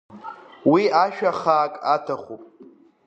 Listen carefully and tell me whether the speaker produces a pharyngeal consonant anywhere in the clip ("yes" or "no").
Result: no